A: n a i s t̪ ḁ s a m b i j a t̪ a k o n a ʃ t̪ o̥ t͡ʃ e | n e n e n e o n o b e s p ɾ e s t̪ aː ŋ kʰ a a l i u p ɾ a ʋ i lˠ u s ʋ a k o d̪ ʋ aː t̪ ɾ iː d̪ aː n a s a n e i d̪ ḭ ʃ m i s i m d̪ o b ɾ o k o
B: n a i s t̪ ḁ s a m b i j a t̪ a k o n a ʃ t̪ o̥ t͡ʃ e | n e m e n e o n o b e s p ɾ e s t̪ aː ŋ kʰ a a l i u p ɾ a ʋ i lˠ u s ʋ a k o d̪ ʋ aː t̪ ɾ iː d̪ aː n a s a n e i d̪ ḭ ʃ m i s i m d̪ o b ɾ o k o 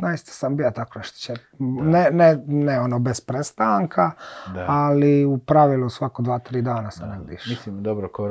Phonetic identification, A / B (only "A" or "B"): A